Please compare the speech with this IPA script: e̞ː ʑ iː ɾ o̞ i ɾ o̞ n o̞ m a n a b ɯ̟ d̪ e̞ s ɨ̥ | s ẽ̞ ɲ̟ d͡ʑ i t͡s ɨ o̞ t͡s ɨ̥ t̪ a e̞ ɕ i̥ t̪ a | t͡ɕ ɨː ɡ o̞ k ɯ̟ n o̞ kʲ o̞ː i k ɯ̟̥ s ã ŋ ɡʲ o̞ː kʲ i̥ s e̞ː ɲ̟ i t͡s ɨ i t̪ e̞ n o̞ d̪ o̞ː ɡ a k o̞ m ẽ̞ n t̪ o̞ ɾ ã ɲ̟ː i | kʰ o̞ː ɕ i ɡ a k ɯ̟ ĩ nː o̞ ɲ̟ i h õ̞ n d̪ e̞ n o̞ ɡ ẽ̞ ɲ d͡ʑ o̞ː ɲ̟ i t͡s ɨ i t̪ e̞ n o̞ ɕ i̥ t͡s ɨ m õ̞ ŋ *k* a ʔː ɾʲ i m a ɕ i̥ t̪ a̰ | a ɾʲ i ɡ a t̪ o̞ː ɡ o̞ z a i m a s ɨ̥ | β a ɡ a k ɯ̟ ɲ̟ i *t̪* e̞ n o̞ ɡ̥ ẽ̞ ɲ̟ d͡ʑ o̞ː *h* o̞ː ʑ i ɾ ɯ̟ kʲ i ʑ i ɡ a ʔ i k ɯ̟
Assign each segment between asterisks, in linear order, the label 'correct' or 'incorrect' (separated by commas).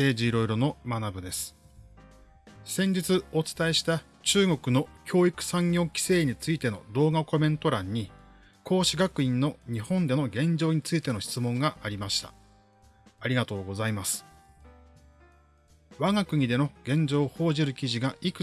incorrect, incorrect, correct